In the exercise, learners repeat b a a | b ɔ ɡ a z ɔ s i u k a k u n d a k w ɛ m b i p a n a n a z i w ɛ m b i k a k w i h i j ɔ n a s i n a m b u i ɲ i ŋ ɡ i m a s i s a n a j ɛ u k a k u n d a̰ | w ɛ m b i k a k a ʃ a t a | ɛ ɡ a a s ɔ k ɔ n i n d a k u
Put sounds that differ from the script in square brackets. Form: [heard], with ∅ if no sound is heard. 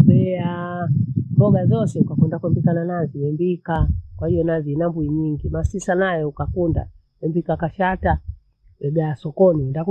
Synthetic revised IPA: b [ɛ] a | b ɔ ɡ a z ɔ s [ɛ] u k a k u n d a k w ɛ m b i [k] a n a n a z i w ɛ m b i k a k w [a] h i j ɔ n a [z] i n a m b u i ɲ i ŋ ɡ i m a s i s a n a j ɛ u k a k u n d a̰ | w ɛ m b i k a k a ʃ a t a | ɛ ɡ a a s ɔ k ɔ n i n d a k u